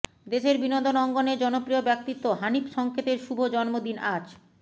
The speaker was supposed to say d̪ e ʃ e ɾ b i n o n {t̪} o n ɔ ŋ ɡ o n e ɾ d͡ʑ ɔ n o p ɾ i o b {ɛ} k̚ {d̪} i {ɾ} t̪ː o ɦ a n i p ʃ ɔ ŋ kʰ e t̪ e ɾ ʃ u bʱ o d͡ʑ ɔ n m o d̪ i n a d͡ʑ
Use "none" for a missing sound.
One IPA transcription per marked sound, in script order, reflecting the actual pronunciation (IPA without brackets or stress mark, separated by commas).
d̪, ɛ, t̪, none